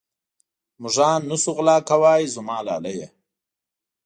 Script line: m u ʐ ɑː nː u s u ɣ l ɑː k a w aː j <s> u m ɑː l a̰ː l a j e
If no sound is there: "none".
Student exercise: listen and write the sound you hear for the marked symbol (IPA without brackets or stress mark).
z